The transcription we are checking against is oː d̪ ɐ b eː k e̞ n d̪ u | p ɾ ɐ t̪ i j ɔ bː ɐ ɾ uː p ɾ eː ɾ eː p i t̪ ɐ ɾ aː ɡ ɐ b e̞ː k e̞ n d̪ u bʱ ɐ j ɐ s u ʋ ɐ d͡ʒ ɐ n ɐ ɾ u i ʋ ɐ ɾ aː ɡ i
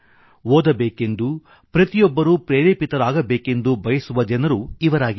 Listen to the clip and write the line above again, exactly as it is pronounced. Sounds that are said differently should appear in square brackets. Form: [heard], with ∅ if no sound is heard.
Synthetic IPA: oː d̪ ɐ b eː k e̞ n d̪ u | p ɾ ɐ t̪ i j ɔ bː ɐ ɾ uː p ɾ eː ɾ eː p i t̪ ɐ ɾ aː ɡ ɐ b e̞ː k e̞ n d̪ u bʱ ɐ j ɐ s u ʋ ɐ d͡ʒ ɐ n ɐ ɾ u i ʋ ɐ ɾ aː ɡ i